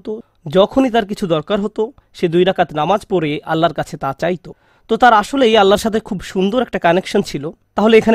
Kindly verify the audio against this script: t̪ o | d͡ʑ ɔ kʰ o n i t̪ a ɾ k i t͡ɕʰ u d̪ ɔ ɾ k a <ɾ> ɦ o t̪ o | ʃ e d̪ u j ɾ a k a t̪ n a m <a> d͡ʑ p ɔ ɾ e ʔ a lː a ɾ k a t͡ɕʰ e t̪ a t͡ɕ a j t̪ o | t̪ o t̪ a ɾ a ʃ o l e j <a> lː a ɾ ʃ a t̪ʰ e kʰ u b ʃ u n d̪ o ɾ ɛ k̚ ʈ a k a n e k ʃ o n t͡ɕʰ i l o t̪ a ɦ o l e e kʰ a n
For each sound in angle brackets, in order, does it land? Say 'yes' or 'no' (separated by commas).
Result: yes, yes, yes